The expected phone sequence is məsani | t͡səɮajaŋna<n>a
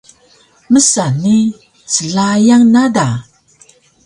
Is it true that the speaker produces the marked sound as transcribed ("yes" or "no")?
no